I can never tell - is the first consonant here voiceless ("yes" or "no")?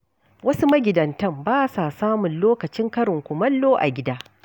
no